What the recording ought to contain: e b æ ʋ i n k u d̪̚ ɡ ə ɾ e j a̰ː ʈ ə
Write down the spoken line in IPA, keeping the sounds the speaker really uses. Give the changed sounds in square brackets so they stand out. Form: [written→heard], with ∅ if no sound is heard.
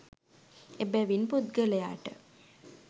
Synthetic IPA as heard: e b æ ʋ i n [k→p] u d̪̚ ɡ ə [ɾ→l] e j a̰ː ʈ ə